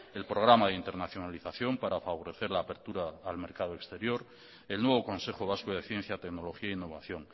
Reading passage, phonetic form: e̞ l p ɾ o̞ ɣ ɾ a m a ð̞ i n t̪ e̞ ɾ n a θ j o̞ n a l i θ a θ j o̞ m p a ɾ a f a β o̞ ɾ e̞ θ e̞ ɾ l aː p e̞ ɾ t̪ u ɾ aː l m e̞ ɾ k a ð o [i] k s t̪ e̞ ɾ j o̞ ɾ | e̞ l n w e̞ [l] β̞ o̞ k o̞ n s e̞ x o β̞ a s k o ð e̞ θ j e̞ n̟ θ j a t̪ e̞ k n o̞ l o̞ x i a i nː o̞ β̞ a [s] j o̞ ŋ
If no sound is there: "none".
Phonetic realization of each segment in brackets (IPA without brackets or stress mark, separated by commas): e, none, θ